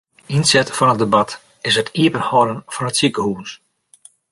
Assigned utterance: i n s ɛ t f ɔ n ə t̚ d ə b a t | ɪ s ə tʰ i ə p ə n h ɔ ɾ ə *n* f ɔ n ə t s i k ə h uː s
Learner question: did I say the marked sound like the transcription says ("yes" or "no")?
yes